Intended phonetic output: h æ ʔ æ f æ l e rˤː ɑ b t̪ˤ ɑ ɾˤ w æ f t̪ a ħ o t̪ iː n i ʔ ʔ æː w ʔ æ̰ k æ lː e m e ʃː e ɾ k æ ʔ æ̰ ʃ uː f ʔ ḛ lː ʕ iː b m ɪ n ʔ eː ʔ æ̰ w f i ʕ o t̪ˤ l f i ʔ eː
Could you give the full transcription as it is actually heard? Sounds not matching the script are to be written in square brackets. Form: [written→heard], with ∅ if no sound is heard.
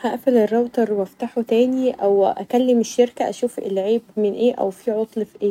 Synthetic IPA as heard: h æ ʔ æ f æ l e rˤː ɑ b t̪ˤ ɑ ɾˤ w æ f t̪ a ħ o t̪ [iː→æː] n i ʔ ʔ [æː→æ] w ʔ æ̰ k æ lː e m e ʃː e ɾ k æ ʔ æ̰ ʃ uː f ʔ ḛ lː ʕ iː b m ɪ n ʔ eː ʔ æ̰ w f i ʕ o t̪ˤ l f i ʔ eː